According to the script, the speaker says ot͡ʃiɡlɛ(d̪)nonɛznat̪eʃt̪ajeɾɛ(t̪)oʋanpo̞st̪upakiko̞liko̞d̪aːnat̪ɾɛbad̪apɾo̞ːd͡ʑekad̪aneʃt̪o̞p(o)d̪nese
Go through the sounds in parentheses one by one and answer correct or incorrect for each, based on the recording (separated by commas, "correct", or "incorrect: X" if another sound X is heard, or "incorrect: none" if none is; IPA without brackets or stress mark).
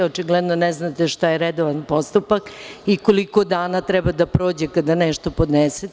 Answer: correct, incorrect: d̪, correct